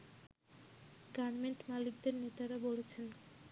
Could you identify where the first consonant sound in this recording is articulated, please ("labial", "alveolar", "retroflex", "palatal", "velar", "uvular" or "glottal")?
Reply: velar